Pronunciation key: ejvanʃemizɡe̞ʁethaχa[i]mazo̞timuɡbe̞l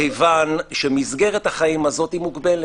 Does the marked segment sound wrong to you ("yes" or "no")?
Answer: no